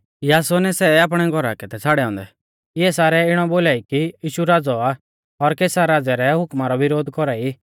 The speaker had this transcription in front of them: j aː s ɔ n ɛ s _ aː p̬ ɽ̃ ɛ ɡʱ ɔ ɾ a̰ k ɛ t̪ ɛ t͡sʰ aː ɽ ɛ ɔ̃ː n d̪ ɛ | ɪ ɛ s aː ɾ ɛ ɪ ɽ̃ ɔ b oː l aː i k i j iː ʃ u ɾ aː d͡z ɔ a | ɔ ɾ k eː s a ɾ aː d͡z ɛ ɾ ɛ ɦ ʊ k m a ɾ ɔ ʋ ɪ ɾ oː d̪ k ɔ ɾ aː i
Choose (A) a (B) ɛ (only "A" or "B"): B